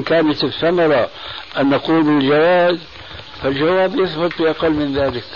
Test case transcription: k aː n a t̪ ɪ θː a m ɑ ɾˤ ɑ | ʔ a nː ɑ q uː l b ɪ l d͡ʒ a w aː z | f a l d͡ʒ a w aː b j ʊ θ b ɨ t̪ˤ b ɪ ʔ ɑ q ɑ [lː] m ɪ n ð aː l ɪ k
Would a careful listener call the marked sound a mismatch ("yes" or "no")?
no